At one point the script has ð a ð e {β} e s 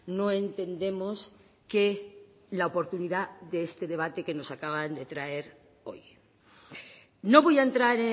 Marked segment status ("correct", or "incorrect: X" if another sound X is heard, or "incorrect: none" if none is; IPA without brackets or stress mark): incorrect: none